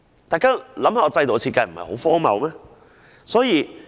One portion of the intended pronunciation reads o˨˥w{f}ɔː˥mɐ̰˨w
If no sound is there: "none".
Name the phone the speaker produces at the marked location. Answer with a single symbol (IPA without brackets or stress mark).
f